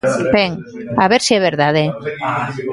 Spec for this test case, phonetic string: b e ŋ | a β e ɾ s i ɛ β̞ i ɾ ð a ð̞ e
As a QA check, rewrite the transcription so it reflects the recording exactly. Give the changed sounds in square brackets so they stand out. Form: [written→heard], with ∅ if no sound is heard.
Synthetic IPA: b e ŋ | a β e ɾ s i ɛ β̞ [i→e] ɾ ð a ð̞ e